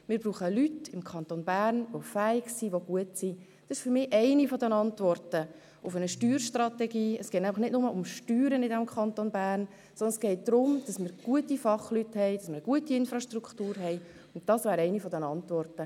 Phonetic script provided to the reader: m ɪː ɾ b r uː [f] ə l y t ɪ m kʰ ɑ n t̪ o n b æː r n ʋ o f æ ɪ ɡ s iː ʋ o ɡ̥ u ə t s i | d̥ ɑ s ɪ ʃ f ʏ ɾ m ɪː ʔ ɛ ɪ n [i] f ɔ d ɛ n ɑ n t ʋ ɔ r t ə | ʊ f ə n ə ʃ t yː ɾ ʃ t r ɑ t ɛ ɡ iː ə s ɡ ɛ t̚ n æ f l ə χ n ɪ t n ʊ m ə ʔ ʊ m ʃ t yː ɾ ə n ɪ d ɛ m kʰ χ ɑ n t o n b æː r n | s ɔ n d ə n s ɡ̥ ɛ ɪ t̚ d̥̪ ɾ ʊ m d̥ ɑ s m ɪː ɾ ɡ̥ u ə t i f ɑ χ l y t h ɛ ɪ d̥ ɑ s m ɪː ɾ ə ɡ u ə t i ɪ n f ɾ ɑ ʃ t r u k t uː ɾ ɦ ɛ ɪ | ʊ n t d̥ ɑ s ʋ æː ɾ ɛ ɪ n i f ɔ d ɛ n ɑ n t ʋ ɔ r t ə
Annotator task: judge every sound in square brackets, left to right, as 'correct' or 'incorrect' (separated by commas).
incorrect, correct